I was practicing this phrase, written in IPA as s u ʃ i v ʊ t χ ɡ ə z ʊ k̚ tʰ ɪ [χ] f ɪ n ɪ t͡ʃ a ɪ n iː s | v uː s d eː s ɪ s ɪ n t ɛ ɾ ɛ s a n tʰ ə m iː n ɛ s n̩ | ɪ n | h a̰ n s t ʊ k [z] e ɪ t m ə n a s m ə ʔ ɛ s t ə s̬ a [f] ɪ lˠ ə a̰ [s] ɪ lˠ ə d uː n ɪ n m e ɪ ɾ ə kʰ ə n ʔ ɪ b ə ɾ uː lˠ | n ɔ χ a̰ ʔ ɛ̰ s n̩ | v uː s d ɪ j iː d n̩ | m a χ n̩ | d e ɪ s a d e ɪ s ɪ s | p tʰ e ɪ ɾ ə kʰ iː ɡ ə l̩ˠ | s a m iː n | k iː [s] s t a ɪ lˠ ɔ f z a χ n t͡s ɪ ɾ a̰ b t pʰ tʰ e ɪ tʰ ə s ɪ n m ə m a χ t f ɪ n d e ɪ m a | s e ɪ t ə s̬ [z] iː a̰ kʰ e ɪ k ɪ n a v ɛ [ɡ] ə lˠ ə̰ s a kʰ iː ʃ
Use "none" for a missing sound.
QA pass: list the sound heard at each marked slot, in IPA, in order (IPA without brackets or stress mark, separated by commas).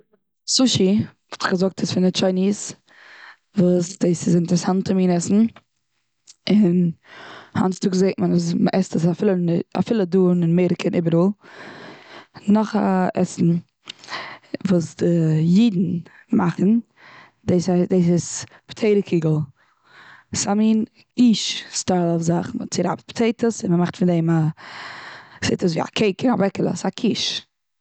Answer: s, z, f, f, ʃ, v, k